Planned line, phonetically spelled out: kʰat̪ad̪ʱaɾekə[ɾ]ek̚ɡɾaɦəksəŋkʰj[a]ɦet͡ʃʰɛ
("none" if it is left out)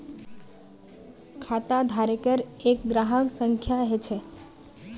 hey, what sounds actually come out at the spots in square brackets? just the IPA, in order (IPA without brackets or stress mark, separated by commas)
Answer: ɾ, a